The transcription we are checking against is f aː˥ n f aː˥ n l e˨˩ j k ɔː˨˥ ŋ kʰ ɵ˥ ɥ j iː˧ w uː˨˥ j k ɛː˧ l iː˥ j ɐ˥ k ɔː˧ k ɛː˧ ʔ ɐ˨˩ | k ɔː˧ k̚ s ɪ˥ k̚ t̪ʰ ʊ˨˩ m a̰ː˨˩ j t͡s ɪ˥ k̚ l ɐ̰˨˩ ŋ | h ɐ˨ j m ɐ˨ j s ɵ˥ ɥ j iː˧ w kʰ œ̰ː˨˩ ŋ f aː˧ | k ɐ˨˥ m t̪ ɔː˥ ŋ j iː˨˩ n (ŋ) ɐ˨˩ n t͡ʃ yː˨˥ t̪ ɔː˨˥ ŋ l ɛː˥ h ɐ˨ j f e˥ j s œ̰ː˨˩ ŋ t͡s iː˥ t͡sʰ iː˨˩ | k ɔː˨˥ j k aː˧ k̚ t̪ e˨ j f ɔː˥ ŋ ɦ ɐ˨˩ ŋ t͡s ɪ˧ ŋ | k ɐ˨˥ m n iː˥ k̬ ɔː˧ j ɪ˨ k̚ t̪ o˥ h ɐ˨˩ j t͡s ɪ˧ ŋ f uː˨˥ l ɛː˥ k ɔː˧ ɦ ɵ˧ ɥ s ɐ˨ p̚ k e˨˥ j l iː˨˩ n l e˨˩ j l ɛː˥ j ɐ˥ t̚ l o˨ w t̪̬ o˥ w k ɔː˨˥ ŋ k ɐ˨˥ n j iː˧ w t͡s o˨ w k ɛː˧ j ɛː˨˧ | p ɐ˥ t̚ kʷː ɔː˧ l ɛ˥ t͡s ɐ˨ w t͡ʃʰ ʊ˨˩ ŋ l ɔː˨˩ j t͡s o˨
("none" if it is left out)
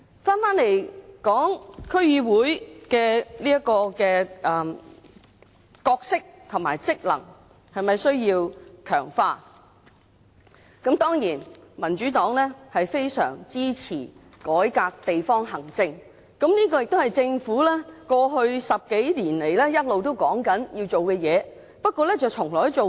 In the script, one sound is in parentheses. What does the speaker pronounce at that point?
m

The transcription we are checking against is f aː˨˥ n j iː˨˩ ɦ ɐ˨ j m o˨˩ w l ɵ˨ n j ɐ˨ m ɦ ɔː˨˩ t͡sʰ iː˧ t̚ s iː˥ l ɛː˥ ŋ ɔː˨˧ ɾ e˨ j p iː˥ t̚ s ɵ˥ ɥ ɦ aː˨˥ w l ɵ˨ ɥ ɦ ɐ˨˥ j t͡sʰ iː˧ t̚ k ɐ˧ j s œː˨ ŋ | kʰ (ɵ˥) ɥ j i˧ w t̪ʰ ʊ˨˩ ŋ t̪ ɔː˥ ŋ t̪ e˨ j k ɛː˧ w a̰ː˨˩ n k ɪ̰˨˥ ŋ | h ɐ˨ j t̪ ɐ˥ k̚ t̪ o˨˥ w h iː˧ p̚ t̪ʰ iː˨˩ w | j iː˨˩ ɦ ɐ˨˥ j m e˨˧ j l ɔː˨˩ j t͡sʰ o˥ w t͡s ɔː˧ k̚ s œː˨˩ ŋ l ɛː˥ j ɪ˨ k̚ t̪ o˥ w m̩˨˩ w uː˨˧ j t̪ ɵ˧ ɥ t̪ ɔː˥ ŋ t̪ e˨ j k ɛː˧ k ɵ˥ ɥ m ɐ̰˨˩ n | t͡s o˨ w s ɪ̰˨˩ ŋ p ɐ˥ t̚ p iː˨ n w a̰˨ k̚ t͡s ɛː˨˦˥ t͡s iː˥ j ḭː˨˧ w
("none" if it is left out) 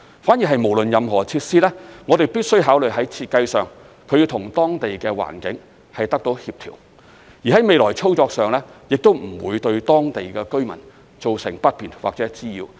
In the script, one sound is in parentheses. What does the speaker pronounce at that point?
ɵ˨˧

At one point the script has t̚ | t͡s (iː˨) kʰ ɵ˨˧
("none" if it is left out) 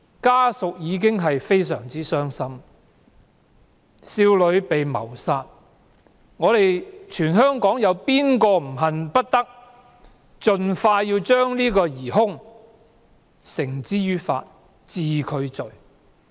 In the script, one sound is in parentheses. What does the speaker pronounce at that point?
iː˨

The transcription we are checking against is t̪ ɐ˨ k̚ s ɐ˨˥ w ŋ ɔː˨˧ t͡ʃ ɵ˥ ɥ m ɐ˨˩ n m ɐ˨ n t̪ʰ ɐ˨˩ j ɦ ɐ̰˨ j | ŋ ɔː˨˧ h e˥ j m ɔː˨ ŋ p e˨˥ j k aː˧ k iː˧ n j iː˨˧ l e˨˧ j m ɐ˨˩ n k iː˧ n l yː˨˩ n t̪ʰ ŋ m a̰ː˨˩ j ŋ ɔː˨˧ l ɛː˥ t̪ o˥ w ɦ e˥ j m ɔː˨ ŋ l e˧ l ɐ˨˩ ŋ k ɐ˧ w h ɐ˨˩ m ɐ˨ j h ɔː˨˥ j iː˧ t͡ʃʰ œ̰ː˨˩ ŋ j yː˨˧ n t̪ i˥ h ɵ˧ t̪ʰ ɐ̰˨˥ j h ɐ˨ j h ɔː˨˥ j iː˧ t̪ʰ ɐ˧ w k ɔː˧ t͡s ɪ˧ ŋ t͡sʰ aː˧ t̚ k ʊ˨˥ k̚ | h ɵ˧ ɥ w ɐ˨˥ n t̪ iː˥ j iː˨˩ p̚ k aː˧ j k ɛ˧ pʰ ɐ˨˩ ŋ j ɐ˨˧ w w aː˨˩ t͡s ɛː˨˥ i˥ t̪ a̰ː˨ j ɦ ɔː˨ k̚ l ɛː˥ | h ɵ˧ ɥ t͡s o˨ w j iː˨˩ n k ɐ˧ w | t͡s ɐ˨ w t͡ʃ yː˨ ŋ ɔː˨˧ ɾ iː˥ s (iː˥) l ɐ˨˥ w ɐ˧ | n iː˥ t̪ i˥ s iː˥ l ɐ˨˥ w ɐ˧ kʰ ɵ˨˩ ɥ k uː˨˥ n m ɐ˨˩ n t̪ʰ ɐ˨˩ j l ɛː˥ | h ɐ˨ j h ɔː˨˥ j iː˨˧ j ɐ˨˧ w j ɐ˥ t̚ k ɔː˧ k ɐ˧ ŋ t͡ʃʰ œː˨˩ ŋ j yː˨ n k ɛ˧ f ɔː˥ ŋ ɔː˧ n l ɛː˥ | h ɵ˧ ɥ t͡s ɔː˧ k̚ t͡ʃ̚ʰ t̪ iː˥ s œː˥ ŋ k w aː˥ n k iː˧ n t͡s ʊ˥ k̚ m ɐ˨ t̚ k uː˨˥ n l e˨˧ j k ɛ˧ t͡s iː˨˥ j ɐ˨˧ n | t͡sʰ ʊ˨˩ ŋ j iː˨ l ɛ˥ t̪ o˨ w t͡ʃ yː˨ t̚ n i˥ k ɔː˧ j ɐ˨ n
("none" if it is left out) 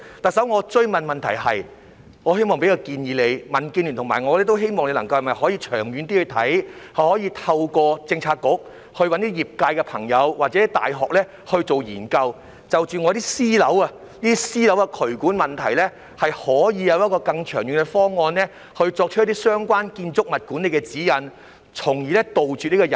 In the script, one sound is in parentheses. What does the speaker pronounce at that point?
iː˥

